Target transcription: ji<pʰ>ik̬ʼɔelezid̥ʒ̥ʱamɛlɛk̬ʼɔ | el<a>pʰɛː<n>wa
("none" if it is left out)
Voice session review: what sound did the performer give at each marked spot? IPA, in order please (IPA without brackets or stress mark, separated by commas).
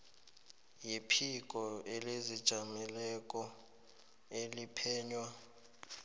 pʰ, i, ɲ